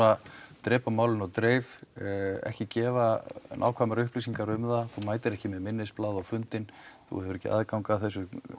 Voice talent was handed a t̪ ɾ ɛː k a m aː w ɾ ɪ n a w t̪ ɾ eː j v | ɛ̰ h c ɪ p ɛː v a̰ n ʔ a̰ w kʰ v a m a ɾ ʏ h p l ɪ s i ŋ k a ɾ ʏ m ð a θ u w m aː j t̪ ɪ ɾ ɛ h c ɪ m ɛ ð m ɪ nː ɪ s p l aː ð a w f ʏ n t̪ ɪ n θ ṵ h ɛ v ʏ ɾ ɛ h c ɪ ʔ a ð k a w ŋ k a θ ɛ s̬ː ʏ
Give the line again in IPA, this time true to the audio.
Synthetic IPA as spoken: a t̪ ɾ ɛː p a m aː w l ɪ n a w t̪ ɾ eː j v | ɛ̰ h c ɪ c ɛː v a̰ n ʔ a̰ w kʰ v a m a ɾ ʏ h p l i s i ŋ k a ɾ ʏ m ð a θ u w m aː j t̪ ɪ ɾ ɛ h c ɪ m ɛ ð m ɪ nː ɪ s p l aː ð a w f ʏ n t̪ ɪ n θ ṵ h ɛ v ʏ ɾ ɛ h c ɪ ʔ a ð k a w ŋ k a θ ɛ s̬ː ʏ